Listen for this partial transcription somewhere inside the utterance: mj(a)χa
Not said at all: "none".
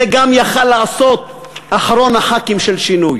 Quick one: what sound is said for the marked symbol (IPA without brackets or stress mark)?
a